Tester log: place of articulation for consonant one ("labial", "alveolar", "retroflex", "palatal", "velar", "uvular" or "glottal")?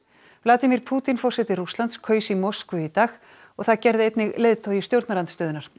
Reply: labial